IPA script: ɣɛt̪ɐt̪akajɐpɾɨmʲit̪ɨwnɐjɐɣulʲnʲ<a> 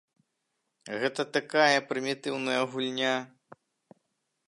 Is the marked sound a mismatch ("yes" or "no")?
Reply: no